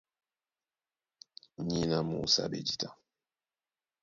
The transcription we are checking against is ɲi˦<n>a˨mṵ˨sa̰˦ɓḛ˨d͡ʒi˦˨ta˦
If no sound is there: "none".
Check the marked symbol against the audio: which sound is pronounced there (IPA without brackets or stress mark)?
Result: n